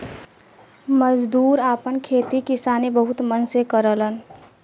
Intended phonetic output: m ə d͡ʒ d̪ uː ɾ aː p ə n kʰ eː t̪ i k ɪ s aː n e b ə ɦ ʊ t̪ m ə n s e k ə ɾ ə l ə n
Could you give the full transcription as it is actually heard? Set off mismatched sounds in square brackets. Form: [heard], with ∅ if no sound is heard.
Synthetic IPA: m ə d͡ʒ d̪ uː ɾ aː p ə n kʰ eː t̪ i k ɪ s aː n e b ə ɦ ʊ t̪ m ə n s e k ə ɾ ə l ə n